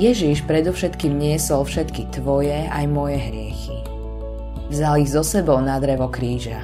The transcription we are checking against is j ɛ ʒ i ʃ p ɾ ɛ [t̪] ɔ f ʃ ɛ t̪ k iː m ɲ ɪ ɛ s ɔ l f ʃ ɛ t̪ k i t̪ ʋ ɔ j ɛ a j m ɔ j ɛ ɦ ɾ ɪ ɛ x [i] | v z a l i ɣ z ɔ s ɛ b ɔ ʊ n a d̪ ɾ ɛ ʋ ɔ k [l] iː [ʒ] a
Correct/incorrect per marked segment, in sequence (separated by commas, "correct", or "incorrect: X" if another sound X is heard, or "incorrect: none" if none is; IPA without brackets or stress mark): incorrect: d̪, correct, incorrect: ɾ, correct